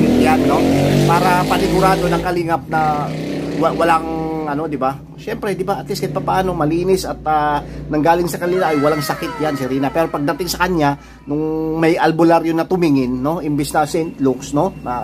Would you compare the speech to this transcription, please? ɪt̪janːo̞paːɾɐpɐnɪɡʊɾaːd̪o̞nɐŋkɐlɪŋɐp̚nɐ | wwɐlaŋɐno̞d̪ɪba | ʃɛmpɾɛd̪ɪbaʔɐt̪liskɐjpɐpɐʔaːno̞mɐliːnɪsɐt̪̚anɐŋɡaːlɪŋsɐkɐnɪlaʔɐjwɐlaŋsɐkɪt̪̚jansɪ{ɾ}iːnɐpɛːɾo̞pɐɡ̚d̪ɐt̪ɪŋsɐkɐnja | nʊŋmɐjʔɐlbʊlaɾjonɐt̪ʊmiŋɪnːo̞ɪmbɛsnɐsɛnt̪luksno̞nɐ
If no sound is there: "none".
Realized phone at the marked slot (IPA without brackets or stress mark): ɾ